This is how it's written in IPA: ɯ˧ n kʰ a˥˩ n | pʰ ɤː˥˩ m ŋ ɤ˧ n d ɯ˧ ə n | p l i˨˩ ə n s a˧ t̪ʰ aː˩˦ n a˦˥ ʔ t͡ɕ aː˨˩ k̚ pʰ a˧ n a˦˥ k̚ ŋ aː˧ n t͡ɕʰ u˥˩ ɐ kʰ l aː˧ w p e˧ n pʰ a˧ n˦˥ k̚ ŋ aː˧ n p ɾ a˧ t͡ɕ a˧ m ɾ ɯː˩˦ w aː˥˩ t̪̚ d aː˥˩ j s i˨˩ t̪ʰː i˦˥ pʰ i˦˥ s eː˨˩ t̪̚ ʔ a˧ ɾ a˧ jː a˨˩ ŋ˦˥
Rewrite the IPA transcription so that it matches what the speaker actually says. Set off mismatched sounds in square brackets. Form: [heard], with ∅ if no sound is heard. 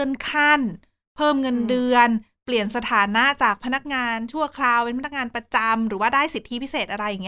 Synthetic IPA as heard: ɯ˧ n kʰ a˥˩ n | pʰ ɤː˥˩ m ŋ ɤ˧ n d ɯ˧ ə n | p l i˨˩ ə n s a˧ t̪ʰ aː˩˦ n a˦˥ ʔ t͡ɕ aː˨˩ k̚ pʰ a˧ n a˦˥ k̚ ŋ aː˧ n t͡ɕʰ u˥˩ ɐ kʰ l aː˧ w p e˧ n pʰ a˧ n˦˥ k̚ ŋ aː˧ n p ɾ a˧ t͡ɕ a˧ m ɾ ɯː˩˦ w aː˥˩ [∅] d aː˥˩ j s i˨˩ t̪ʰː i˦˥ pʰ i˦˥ s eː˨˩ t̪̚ ʔ a˧ ɾ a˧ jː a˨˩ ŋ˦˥